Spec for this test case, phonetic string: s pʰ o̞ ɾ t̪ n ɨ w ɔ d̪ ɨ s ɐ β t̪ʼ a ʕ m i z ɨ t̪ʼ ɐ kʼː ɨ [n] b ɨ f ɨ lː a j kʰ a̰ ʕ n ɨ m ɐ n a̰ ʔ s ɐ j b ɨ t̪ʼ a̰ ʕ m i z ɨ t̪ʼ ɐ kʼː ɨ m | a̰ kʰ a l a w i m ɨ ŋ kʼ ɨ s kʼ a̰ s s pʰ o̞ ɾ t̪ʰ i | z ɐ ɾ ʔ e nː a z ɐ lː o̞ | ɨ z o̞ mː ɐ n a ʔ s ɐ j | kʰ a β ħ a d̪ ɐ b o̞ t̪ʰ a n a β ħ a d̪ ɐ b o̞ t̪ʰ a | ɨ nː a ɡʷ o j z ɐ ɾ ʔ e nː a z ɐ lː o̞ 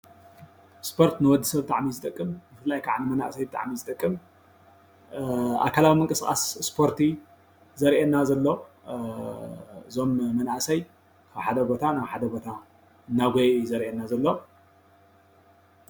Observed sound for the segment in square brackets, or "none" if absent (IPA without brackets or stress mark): m